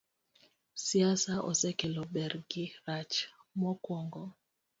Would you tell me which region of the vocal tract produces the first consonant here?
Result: tongue tip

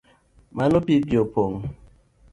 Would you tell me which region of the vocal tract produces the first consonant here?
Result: lips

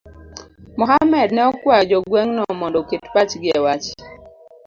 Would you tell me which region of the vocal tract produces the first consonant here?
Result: lips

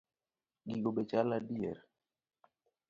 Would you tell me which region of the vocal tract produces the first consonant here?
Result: velum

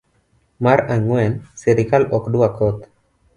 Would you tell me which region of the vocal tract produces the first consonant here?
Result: lips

